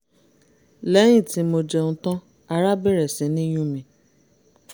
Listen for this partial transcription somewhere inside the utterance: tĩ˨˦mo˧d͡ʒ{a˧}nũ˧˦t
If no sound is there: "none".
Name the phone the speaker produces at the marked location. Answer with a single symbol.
ɛ˧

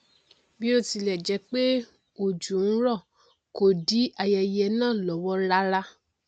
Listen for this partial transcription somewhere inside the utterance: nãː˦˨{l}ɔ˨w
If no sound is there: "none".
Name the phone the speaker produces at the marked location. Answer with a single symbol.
l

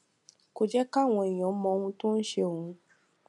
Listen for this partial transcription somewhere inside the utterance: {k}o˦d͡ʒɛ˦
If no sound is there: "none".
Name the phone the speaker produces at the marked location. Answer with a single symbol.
k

